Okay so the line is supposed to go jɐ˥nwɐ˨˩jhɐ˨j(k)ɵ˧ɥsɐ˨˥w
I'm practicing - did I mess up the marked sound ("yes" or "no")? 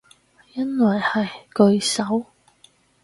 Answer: no